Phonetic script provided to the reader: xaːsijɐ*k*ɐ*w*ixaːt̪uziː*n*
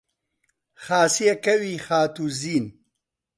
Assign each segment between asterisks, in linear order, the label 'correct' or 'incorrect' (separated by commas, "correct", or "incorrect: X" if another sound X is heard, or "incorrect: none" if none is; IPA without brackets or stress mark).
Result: correct, correct, correct